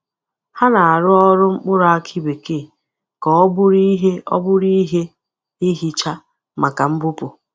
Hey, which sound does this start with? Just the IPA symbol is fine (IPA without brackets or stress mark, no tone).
h